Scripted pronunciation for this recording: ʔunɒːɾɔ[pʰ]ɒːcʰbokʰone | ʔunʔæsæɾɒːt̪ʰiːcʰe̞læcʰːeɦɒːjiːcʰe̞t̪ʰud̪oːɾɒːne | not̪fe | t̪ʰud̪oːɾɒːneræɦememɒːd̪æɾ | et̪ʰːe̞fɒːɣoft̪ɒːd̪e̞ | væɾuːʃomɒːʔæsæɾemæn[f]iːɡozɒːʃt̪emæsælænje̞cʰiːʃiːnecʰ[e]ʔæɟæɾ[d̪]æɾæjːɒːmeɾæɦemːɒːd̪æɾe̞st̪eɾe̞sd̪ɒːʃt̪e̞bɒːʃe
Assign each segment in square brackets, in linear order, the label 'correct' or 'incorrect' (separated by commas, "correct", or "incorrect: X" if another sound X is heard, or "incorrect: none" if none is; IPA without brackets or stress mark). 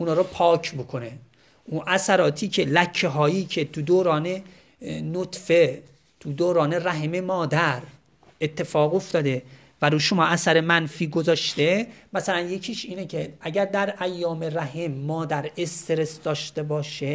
correct, correct, correct, correct